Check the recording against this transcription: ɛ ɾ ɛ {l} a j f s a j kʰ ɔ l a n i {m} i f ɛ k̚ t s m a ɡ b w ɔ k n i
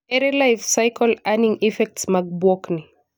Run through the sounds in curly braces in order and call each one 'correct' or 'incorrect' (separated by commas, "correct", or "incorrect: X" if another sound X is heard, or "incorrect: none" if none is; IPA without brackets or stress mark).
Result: correct, incorrect: ŋ